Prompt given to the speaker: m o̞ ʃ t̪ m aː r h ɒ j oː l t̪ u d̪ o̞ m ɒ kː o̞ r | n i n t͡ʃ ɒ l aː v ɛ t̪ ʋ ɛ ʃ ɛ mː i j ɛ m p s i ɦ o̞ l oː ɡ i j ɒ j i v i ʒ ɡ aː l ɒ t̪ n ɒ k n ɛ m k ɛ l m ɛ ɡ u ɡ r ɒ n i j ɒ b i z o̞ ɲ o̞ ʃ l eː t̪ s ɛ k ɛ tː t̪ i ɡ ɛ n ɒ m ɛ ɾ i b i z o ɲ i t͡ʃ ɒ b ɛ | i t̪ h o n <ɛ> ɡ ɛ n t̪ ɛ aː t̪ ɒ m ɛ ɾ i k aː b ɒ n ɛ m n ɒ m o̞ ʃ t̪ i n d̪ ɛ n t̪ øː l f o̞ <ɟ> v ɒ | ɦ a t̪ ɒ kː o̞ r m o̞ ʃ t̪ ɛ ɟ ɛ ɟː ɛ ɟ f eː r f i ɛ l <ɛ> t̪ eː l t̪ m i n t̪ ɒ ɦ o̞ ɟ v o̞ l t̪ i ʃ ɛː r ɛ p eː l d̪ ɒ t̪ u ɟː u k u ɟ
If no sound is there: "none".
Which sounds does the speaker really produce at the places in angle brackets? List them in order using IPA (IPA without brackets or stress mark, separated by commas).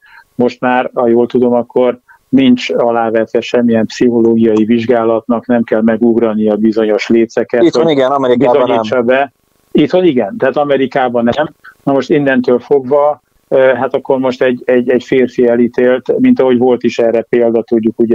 i, ɡ, i